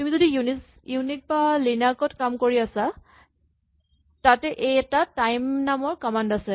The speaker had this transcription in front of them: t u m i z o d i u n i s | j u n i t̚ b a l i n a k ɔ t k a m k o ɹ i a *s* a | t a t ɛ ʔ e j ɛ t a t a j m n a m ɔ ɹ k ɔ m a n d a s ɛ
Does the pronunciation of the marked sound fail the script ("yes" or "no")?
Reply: no